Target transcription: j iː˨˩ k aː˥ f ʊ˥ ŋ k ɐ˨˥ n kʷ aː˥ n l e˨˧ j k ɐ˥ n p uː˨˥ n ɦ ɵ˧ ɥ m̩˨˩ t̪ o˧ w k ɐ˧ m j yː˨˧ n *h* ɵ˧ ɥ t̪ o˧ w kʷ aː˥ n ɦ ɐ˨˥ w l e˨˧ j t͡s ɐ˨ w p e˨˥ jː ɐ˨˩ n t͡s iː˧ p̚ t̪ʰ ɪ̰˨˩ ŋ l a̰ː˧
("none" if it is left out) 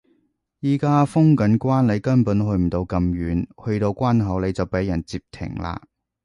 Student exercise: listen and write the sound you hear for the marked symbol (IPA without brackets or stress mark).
h